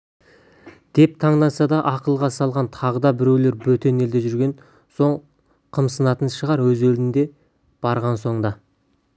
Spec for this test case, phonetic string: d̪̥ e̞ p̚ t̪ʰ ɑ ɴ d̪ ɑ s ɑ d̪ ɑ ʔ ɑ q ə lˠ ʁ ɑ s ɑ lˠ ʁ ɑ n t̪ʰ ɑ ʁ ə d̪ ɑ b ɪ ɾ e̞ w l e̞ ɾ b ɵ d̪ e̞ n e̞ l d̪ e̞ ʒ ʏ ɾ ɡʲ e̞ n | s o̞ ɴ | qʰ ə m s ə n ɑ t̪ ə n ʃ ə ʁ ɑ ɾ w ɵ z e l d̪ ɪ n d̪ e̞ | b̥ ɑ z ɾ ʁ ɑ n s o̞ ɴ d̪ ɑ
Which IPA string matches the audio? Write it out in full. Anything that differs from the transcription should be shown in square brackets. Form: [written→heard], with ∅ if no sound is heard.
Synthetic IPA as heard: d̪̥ e̞ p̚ t̪ʰ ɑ ɴ d̪ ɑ s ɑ d̪ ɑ ʔ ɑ q ə lˠ ʁ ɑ s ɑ lˠ ʁ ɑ n t̪ʰ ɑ ʁ ə d̪ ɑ b ɪ ɾ e̞ w l e̞ ɾ b ɵ [d̪→t̪] e̞ n e̞ l d̪ e̞ ʒ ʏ ɾ ɡʲ e̞ n | s o̞ ɴ | qʰ ə m s ə n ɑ t̪ ə n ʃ ə ʁ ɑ ɾ w ɵ z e l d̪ ɪ n d̪ e̞ | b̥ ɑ [z→∅] ɾ ʁ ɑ n s o̞ ɴ d̪ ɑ